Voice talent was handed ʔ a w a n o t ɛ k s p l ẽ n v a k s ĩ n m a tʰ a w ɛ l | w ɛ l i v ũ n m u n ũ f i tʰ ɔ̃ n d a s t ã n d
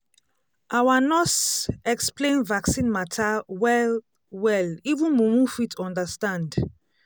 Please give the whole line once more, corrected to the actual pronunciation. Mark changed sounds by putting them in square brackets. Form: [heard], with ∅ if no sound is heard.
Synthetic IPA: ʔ a w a n [ɔ] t ɛ k s p l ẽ n v a k s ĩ n m a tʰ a w ɛ l | w ɛ l i v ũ n m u [m] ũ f i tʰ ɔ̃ n d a s t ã n d